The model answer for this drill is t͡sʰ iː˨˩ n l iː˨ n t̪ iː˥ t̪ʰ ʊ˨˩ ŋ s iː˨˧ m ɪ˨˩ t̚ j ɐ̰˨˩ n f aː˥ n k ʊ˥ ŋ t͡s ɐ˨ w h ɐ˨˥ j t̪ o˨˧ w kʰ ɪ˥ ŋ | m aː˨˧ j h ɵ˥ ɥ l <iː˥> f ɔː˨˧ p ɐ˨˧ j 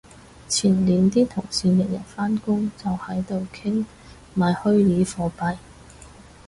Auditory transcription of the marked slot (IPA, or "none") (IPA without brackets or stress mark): iː˨˥